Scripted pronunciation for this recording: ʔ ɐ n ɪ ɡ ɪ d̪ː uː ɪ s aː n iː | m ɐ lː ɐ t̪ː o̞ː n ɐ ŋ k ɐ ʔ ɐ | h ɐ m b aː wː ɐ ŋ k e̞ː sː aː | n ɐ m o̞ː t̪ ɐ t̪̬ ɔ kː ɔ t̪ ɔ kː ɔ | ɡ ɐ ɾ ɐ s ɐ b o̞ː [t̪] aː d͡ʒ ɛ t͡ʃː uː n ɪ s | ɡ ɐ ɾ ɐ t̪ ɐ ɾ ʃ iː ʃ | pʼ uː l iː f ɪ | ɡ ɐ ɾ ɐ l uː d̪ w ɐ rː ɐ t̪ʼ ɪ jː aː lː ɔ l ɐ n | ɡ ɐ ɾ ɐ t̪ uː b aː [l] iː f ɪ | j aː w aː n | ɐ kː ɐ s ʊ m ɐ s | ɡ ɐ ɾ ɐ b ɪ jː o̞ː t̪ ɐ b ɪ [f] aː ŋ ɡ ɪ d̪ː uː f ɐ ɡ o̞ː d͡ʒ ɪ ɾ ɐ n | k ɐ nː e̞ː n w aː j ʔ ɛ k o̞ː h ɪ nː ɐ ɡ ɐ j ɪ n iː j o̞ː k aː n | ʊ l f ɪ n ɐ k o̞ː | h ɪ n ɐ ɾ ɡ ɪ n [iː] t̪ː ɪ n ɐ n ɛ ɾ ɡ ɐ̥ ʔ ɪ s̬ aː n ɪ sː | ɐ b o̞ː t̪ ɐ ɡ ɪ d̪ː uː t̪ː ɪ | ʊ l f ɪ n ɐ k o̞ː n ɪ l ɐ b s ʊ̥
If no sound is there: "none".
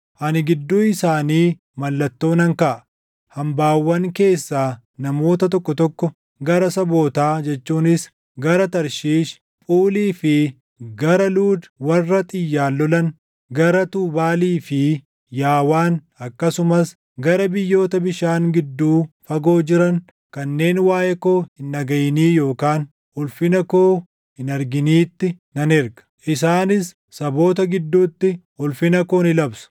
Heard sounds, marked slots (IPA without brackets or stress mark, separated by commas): t̪, l, ʃ, iː